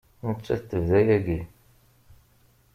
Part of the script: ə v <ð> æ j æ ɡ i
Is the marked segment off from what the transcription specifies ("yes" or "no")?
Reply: no